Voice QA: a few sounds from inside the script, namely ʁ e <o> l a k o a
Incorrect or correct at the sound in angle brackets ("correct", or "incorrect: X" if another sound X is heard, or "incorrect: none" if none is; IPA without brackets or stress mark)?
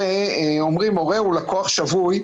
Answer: incorrect: u